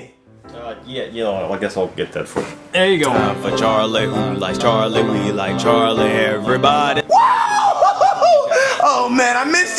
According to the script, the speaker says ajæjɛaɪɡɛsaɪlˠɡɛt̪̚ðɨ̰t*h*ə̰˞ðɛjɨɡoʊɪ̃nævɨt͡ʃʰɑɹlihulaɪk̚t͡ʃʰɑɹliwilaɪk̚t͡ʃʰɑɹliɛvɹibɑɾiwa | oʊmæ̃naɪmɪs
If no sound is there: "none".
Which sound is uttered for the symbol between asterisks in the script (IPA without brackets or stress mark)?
f